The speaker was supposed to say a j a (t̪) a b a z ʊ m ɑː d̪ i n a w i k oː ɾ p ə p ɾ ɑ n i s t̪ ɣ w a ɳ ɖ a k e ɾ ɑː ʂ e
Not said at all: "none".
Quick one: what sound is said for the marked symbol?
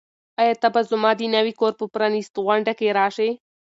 t̪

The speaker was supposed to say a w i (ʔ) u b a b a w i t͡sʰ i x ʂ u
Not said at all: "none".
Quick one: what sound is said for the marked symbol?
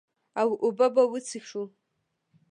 ʔ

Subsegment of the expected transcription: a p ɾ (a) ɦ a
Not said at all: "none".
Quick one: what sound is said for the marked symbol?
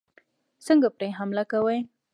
e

